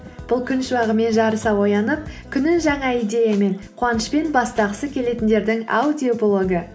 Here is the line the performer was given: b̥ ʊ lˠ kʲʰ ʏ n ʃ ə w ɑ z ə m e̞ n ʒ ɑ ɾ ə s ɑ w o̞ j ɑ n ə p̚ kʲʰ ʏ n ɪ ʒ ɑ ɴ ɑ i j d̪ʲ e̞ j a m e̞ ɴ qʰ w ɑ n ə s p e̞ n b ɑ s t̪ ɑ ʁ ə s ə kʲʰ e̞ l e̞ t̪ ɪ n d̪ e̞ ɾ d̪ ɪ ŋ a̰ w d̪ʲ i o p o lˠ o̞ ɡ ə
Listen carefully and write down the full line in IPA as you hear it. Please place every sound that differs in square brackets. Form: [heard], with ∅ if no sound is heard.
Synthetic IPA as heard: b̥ ʊ lˠ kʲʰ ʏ n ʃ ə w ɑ [ʁ] ə m e̞ n ʒ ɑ ɾ ə s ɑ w o̞ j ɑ n ə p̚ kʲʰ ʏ n ɪ ʒ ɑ ɴ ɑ i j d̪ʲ e̞ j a m e̞ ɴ qʰ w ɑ n ə [ʃ] p e̞ n b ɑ s t̪ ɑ ʁ ə s ə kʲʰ e̞ l e̞ t̪ ɪ n d̪ e̞ ɾ d̪ ɪ ŋ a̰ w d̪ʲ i o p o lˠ o̞ ɡ ə